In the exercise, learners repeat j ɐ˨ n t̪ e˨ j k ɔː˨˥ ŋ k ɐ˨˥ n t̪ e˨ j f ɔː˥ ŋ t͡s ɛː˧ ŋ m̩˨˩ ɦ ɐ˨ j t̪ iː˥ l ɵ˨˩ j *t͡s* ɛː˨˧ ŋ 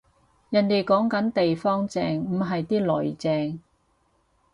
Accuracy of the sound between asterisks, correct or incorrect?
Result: correct